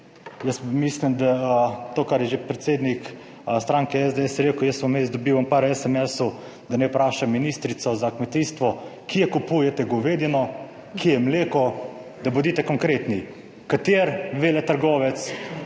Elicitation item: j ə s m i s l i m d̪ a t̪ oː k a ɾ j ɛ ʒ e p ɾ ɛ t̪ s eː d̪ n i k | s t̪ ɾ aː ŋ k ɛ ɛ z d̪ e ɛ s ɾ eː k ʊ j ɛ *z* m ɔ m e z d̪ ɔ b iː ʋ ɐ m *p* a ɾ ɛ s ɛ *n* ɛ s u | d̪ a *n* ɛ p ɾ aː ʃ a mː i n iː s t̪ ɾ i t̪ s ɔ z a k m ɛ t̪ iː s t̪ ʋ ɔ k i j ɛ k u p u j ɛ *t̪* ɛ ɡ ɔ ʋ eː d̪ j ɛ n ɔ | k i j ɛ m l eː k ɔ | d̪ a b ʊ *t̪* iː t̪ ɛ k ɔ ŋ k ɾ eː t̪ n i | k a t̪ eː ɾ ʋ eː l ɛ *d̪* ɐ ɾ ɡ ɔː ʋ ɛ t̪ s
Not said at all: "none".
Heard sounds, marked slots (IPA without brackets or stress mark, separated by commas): s, p, m, n, t̪, d̪, t̪